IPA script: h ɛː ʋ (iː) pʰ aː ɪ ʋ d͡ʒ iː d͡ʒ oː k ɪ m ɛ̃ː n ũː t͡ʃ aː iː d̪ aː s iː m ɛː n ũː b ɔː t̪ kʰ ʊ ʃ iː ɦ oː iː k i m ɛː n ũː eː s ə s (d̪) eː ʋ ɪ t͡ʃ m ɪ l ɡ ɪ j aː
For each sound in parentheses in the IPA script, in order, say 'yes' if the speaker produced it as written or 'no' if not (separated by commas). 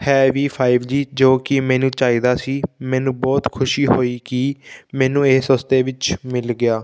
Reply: yes, no